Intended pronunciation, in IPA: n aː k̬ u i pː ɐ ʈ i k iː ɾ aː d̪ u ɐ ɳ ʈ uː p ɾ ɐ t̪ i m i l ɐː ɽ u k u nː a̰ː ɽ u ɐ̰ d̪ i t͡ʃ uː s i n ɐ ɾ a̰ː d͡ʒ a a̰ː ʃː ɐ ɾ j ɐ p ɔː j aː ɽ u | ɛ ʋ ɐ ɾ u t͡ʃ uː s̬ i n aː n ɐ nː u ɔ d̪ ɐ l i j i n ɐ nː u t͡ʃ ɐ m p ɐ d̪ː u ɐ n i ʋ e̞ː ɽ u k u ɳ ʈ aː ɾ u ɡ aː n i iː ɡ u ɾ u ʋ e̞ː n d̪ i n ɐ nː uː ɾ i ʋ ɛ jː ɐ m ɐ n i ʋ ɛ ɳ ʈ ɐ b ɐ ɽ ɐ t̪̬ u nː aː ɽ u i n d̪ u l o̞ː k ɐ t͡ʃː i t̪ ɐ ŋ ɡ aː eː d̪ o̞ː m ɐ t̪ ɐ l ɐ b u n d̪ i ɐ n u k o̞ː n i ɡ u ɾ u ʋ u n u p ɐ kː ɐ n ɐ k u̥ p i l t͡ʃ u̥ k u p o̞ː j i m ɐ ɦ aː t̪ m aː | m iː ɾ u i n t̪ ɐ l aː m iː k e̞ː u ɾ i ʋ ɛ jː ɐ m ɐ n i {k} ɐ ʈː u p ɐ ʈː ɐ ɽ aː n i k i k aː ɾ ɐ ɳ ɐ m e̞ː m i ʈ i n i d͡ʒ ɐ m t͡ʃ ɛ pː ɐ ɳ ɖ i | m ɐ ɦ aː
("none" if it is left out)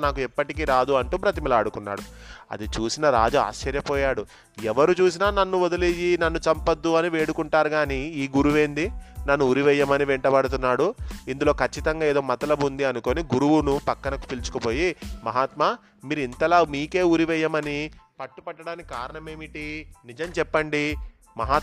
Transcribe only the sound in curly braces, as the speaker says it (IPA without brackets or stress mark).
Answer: p